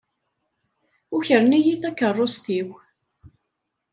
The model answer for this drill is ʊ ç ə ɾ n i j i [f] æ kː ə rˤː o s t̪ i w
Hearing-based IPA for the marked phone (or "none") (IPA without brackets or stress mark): θ